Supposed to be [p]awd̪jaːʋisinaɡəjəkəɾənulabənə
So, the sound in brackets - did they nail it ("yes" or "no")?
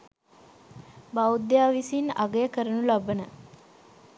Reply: no